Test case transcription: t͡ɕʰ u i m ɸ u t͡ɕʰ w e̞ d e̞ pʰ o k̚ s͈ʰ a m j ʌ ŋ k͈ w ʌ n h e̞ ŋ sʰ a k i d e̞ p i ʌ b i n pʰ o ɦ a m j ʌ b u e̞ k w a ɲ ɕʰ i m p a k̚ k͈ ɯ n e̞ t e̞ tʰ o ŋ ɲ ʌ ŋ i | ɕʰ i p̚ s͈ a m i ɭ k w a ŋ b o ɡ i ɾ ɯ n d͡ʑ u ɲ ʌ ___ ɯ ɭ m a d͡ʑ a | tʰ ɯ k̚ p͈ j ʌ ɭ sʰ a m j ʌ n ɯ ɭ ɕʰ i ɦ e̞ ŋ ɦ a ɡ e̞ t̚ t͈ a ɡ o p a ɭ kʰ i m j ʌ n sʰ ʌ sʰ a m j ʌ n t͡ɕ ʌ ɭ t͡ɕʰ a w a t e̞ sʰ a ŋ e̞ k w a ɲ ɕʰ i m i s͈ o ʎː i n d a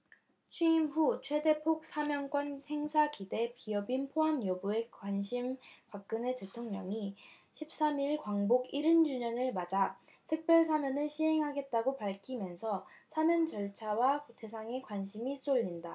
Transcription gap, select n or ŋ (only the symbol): n